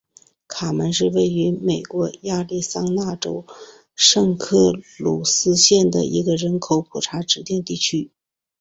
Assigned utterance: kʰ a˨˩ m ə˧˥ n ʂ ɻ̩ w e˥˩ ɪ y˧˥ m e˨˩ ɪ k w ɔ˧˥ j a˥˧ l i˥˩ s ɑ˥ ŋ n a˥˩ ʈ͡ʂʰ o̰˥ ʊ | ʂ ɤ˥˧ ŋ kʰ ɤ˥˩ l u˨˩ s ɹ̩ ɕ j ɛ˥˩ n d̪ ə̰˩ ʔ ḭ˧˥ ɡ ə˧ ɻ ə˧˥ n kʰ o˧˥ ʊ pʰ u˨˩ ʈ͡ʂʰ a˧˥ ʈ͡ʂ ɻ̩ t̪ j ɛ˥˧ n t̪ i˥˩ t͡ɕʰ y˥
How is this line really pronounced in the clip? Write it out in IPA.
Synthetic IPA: kʰ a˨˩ m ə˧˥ n ʂ ɻ̩ w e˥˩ ɪ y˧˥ m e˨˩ ɪ k w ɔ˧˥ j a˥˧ l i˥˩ s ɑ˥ ŋ n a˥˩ ʈ͡ʂ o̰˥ ʊ | ʂ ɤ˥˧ ŋ kʰ ɤ˥˩ l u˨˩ s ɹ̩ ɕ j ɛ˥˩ n d̪ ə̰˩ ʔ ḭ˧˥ ɡ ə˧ ɻ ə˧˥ n kʰ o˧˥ ʊ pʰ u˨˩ ʈ͡ʂʰ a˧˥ ʈ͡ʂ ɻ̩ t̪ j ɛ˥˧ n t̪ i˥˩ t͡ɕʰ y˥